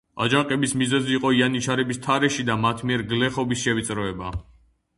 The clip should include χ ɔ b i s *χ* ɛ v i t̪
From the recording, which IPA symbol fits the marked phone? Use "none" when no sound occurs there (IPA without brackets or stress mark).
ʃ